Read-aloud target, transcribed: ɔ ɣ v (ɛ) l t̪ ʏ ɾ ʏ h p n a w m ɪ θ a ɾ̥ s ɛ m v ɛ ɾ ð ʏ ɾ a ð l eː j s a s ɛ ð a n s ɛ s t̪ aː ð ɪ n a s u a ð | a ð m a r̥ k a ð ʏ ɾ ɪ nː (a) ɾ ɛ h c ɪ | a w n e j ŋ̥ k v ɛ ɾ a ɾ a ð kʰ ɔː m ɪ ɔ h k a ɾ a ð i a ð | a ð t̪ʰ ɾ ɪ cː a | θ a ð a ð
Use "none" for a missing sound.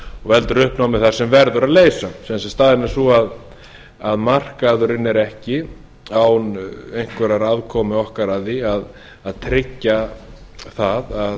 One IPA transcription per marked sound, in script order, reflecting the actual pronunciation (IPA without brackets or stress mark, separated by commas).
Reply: ɛ, ɛ